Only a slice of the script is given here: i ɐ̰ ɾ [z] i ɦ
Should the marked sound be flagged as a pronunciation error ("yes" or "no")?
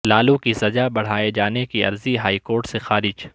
no